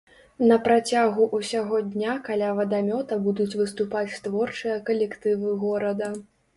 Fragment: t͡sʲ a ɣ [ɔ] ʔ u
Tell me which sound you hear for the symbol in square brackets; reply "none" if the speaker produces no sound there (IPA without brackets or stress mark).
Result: u